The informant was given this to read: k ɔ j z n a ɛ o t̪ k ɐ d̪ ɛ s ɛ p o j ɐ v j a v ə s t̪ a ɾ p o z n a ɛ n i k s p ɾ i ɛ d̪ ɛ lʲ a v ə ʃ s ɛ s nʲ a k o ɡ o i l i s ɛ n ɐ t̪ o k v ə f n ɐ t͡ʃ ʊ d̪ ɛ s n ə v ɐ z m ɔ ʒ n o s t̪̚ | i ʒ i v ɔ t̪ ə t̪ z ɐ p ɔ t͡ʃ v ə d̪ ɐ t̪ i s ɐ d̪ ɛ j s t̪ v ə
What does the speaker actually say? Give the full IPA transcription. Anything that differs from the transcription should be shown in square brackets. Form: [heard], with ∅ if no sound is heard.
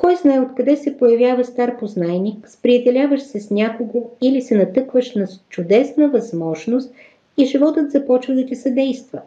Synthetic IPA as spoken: k ɔ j z n a ɛ o t̪ k ɐ d̪ ɛ s ɛ p o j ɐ v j a v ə s t̪ a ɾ p o z n a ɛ n i k s p ɾ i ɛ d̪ ɛ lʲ a v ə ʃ s ɛ s nʲ a k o ɡ o i l i s ɛ n ɐ t̪ [ɤ] k v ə [ʃ] n ɐ t͡ʃ ʊ d̪ ɛ s n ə v ɐ z m ɔ ʒ n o s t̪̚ | i ʒ i v ɔ t̪ ə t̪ z ɐ p ɔ t͡ʃ v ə d̪ ɐ t̪ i s ɐ d̪ ɛ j s t̪ v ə